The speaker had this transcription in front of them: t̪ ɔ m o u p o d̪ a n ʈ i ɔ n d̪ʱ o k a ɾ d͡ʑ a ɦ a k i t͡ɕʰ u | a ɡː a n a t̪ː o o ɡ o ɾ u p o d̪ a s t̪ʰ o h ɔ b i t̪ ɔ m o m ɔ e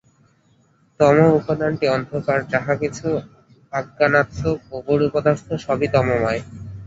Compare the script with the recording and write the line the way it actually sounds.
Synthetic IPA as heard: t̪ ɔ m o u p o d̪ a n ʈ i ɔ n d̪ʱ o k a ɾ d͡ʑ a ɦ a k i t͡ɕʰ u | a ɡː a n a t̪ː o o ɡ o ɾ u p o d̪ a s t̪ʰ o ʃ ɔ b i t̪ ɔ m o m ɔ e